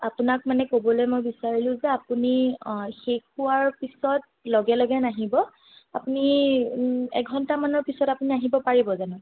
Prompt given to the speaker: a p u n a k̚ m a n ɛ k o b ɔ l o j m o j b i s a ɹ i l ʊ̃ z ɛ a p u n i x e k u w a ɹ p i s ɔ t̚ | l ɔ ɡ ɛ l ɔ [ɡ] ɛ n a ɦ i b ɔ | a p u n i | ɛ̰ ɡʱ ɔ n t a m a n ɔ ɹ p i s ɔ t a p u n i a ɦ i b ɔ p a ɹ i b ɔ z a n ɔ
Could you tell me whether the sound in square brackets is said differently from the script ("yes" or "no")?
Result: no